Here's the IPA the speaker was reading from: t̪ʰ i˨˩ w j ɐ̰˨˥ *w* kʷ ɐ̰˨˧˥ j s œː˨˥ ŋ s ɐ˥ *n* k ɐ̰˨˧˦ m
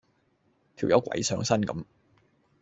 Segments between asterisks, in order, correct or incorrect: correct, correct

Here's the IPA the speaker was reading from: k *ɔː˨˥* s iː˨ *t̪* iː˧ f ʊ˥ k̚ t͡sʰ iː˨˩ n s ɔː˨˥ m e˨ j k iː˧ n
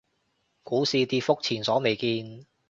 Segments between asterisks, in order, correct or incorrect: incorrect, correct

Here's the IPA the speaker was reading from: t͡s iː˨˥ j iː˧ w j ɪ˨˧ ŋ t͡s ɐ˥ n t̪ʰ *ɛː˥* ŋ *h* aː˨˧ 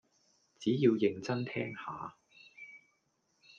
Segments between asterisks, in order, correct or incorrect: correct, correct

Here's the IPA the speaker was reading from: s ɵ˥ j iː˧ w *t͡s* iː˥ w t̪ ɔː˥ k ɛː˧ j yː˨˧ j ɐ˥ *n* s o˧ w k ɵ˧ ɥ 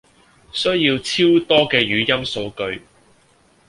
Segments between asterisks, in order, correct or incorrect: incorrect, incorrect

